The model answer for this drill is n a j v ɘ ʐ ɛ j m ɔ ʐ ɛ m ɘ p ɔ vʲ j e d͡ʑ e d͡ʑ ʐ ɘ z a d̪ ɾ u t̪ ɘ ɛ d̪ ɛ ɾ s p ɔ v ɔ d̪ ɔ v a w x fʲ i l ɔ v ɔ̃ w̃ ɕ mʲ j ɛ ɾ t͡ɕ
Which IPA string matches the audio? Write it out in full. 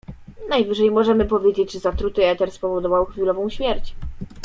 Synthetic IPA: n a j v ɘ ʐ ɛ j m ɔ ʐ ɛ m ɘ p ɔ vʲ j e d͡ʑ e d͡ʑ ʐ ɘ z a t̪ ɾ u t̪ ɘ ɛ t̪ ɛ ɾ s p ɔ v ɔ d̪ ɔ v a w x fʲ i l ɔ v ɔ̃ w̃ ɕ mʲ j ɛ ɾ t͡ɕ